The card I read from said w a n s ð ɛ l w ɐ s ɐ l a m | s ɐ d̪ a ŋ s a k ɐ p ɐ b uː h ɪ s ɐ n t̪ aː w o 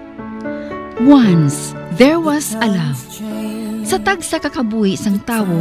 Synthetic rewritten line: w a n s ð ɛ ɹ w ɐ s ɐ l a m | s ɐ t̪ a ɡ s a k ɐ k ɐ b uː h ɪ s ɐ ŋ t̪ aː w o